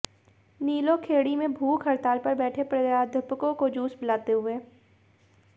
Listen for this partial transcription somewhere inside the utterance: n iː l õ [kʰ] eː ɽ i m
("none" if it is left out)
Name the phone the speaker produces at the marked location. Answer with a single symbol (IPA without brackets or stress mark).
kʰ